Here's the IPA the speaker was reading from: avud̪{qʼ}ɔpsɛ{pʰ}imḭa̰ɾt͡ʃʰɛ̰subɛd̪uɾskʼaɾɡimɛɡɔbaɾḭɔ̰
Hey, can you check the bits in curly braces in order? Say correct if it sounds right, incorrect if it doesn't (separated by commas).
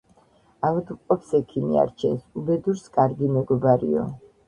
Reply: correct, incorrect